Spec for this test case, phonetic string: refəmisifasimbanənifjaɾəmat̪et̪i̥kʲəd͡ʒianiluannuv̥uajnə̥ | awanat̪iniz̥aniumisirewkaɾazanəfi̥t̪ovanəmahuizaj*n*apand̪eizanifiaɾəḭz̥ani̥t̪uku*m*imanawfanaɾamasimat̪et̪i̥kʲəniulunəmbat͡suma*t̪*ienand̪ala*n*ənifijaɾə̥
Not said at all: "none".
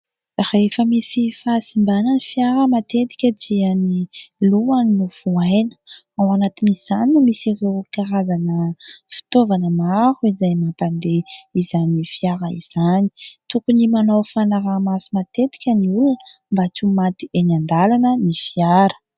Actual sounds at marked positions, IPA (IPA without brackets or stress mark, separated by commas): m, n, t̪, n